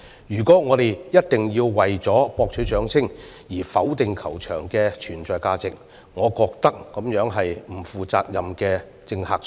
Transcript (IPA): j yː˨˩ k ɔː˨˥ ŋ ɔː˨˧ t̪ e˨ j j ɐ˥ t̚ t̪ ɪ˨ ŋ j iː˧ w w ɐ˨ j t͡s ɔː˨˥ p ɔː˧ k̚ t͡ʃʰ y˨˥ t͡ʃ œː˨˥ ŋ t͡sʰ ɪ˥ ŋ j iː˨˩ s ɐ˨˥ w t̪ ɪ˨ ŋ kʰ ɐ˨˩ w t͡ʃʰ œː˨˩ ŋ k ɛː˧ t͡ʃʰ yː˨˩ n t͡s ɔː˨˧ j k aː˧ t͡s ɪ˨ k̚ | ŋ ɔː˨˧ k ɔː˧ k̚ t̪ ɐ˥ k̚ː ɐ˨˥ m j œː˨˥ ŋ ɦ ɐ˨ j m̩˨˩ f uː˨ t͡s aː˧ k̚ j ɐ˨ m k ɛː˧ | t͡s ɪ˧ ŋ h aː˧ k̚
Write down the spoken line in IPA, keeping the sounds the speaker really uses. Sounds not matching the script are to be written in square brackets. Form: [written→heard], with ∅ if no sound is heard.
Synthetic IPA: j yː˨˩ k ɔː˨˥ ŋ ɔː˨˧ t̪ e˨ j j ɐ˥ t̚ t̪ ɪ˨ ŋ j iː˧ w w ɐ˨ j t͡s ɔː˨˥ p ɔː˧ k̚ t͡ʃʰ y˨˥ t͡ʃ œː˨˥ ŋ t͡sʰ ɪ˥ ŋ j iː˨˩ [s→f] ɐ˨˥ w t̪ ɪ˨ ŋ kʰ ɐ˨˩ w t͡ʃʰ œː˨˩ ŋ k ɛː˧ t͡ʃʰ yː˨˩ n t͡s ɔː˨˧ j k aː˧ t͡s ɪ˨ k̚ | ŋ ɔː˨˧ k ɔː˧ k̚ t̪ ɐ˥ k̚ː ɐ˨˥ m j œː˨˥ ŋ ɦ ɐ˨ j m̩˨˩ f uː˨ t͡s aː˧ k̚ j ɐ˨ m k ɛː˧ | t͡s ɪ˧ ŋ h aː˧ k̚